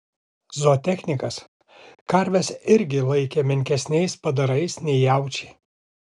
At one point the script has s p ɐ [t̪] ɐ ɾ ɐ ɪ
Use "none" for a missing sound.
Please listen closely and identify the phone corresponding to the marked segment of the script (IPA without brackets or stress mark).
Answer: d̪